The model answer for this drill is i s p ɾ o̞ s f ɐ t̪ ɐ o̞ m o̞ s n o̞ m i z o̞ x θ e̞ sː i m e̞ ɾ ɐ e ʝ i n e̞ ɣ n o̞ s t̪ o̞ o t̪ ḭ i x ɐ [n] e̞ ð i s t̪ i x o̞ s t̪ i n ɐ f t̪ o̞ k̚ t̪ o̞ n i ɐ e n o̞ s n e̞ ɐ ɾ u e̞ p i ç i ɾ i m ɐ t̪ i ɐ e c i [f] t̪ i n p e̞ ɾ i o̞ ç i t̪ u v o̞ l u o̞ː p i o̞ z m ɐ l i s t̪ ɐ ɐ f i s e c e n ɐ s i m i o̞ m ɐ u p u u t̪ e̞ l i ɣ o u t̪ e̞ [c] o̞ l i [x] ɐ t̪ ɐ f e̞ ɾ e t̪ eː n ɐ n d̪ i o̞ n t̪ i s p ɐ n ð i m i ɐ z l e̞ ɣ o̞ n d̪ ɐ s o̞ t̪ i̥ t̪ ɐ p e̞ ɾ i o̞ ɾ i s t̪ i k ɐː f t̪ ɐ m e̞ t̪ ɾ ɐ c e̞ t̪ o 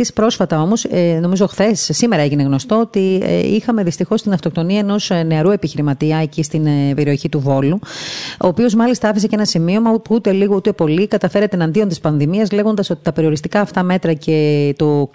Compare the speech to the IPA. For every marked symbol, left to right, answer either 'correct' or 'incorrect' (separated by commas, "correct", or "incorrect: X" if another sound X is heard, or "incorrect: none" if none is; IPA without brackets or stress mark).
incorrect: m, incorrect: s, incorrect: p, incorrect: k